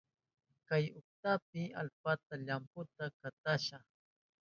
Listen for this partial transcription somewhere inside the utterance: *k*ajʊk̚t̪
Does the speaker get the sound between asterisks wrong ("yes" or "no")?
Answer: no